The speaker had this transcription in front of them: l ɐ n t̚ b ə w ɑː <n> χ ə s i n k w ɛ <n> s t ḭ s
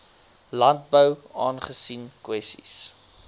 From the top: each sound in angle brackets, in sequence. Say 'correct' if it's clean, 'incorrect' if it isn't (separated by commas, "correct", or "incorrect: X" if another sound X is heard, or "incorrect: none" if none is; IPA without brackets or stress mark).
correct, incorrect: none